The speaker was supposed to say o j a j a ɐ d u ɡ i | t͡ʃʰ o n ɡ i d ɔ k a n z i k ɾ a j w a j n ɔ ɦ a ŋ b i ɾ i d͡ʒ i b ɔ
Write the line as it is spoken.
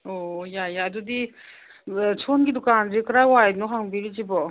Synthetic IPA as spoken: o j a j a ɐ d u d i | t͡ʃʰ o n ɡ i d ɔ k a n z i k ɾ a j w a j n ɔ ɦ a ŋ b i ɾ i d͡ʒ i b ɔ